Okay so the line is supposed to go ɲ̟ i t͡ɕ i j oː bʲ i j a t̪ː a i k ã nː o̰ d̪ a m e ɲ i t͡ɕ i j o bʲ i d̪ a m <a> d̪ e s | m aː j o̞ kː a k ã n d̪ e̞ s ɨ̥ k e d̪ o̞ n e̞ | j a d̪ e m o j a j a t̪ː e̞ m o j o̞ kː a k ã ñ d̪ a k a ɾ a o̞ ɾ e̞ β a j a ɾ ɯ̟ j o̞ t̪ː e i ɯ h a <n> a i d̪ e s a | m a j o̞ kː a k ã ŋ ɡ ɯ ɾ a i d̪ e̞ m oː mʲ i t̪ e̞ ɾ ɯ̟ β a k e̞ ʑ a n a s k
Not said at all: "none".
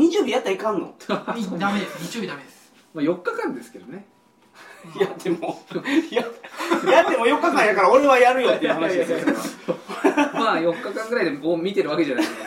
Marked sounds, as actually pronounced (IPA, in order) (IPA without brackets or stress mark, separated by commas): e, n